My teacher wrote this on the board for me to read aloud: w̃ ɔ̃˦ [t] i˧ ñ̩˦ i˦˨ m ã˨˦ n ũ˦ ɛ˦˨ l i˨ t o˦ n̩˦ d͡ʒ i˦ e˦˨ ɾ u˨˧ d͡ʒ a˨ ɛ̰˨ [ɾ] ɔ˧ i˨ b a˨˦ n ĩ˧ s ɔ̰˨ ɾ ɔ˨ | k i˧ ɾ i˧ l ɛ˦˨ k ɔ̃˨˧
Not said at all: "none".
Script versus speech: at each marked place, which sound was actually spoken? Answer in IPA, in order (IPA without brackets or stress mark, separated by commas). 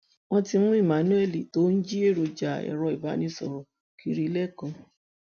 t, ɾ